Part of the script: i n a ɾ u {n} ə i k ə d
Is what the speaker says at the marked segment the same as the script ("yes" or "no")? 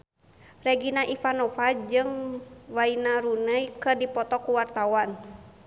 yes